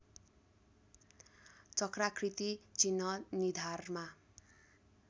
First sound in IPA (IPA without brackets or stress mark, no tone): t͡s